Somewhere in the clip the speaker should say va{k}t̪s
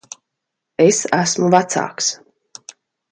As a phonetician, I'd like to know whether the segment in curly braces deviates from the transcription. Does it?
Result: yes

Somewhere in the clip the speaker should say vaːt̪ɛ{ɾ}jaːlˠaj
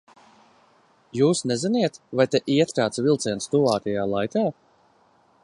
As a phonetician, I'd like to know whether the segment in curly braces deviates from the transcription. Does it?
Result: yes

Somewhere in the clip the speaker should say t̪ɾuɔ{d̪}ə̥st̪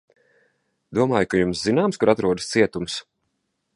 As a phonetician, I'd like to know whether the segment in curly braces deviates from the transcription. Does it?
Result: no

